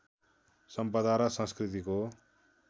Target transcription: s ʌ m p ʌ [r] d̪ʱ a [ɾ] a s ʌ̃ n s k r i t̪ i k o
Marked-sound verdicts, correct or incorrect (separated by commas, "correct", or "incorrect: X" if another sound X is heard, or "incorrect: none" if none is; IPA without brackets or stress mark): incorrect: none, correct